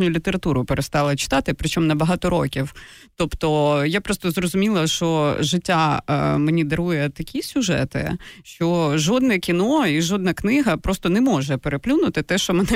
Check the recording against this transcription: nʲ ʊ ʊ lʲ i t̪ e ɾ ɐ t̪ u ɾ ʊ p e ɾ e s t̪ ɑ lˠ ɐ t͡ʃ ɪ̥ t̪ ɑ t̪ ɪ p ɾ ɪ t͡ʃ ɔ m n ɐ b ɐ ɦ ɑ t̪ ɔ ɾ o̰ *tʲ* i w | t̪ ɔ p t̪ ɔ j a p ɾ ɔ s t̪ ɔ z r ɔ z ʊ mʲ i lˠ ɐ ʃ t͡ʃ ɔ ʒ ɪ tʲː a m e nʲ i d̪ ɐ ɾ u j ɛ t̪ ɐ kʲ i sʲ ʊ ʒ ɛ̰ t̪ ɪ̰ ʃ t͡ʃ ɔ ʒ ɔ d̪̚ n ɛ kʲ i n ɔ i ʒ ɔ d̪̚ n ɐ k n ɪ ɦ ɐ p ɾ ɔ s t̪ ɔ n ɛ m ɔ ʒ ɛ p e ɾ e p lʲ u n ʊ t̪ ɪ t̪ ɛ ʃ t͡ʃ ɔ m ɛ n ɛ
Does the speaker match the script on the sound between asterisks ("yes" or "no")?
no